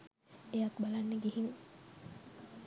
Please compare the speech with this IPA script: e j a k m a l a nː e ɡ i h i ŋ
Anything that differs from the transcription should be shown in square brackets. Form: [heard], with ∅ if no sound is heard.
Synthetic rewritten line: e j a k [b] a l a nː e ɡ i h i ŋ